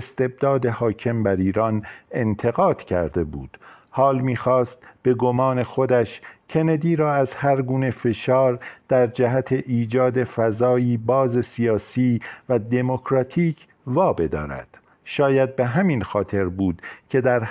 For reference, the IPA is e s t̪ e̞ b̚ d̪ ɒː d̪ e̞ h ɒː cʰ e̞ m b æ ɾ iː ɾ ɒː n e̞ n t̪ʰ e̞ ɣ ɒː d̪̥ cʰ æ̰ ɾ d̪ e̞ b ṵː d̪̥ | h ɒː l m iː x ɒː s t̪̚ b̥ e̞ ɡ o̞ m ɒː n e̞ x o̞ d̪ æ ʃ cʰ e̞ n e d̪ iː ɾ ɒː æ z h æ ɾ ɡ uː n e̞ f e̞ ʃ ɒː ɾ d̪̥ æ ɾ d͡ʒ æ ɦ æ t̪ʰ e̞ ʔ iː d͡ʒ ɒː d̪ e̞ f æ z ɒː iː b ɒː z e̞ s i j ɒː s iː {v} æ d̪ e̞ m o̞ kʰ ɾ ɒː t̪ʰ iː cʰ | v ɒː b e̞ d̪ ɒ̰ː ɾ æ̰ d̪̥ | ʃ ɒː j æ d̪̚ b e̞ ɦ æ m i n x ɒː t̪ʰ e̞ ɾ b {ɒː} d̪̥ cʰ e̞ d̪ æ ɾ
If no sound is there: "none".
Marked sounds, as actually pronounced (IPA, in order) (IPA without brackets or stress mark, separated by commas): v, uː